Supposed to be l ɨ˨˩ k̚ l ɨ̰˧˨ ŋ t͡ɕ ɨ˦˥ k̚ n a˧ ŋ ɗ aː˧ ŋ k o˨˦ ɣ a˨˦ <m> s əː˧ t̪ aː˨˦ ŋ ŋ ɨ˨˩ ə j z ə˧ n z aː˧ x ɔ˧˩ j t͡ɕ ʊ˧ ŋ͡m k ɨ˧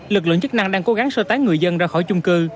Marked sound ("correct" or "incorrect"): incorrect